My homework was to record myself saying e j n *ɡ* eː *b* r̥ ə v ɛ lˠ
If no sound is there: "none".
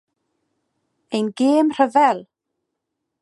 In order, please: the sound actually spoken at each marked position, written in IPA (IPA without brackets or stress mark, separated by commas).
ɡ, m